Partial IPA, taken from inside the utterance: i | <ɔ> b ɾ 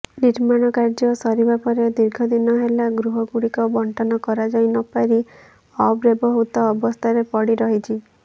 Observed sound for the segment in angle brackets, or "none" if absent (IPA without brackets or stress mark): ɔ